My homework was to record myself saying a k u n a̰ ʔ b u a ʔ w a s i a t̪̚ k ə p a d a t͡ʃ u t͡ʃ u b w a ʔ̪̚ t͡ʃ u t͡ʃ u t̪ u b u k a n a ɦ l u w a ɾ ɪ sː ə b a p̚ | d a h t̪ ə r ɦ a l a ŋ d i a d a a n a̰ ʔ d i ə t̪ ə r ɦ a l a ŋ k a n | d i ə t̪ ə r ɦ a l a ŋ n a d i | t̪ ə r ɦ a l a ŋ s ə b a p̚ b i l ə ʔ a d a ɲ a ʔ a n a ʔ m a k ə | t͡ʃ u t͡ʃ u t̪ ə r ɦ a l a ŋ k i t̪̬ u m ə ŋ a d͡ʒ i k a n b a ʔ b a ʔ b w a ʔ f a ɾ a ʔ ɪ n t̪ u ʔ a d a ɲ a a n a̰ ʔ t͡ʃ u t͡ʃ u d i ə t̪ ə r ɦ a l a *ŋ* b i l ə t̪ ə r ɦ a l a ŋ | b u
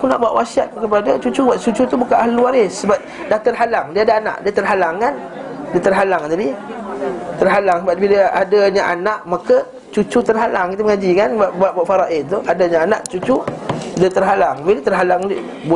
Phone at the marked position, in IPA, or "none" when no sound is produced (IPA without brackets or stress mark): ŋ